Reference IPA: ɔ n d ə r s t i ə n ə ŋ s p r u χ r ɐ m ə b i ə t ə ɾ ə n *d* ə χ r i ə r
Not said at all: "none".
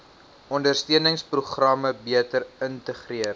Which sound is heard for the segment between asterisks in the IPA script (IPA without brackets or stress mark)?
t